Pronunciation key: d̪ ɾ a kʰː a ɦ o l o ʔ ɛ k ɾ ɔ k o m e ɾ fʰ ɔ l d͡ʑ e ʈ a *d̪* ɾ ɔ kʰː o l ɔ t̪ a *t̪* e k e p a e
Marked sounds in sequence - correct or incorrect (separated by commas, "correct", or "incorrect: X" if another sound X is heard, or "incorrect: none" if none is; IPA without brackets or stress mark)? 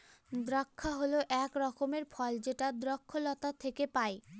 correct, incorrect: t̪ʰ